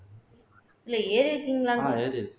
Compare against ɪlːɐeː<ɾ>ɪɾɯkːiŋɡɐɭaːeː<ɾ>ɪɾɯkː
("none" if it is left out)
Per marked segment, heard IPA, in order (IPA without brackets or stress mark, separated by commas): ɾ, ɾ